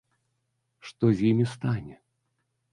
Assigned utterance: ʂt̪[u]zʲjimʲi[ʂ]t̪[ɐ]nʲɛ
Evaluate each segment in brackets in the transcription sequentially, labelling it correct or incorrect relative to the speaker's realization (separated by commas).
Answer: incorrect, incorrect, incorrect